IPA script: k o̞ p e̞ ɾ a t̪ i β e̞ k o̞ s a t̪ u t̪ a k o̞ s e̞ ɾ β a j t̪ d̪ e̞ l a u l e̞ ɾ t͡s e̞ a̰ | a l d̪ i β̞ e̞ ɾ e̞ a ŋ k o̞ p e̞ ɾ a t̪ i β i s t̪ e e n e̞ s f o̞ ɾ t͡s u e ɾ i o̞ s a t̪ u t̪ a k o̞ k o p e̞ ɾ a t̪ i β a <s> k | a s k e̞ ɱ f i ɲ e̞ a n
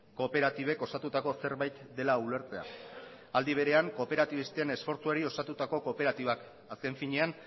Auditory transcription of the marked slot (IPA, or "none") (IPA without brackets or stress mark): none